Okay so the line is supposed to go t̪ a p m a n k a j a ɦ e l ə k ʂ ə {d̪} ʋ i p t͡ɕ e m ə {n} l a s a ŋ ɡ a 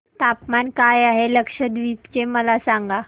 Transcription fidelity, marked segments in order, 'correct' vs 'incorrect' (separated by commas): correct, incorrect